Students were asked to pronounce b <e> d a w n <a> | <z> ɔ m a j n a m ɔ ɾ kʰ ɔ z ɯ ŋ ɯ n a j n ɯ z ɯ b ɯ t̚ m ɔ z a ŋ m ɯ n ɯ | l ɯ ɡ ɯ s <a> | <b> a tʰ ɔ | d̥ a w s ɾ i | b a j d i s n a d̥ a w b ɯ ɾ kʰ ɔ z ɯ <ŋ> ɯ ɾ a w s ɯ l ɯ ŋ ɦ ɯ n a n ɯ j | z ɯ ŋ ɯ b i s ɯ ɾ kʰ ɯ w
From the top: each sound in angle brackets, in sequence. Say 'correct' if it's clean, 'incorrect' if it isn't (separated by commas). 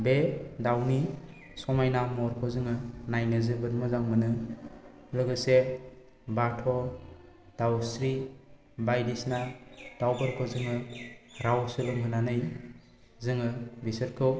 correct, incorrect, incorrect, incorrect, correct, correct